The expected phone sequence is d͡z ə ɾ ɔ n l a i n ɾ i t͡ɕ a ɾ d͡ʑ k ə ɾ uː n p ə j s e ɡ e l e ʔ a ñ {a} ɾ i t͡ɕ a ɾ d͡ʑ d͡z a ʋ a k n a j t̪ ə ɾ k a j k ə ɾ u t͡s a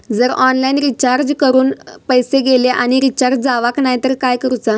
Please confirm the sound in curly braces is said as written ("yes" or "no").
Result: no